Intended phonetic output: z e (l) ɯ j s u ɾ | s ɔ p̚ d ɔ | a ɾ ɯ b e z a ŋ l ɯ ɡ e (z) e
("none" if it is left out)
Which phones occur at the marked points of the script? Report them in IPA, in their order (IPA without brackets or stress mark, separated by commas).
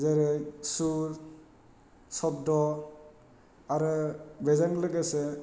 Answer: ɾ, s